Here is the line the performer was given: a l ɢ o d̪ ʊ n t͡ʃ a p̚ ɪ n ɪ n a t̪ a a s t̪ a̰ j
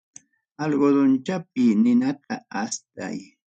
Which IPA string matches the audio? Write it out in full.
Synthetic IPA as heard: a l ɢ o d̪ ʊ n t͡ʃ a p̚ ɪ n ɪ n a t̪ a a s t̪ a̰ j